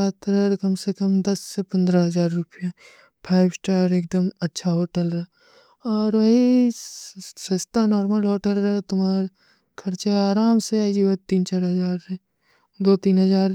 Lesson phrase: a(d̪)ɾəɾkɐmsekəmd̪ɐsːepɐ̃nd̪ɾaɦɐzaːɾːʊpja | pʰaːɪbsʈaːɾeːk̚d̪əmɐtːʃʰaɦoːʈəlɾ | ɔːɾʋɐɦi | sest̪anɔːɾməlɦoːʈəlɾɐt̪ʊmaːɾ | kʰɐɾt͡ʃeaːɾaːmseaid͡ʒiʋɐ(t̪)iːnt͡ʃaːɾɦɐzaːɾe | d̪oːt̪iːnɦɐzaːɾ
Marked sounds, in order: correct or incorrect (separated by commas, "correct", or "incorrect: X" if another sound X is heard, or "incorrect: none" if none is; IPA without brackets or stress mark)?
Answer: incorrect: t̪, correct